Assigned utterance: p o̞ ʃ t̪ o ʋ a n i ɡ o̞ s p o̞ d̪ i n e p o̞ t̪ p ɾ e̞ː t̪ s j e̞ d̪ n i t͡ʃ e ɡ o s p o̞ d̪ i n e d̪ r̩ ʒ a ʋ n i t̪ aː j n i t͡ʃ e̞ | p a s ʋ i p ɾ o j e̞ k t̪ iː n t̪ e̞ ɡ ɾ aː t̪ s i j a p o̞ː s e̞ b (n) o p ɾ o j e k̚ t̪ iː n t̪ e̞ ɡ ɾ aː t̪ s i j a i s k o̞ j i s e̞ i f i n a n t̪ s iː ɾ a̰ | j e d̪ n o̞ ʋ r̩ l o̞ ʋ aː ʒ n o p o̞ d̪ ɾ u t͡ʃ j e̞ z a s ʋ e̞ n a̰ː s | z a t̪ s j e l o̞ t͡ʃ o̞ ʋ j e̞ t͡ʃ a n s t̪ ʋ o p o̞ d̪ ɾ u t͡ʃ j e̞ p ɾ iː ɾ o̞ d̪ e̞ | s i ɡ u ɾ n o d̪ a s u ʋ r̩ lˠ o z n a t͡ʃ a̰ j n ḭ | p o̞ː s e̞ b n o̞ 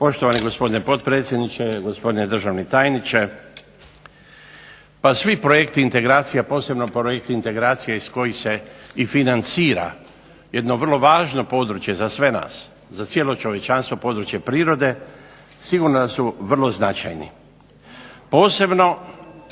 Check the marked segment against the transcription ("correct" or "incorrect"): correct